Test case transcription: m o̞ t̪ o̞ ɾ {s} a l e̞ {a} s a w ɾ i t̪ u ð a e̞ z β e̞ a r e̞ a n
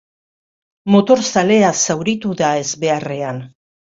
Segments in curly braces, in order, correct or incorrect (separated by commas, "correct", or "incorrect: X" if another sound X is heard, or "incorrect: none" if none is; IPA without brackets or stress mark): correct, correct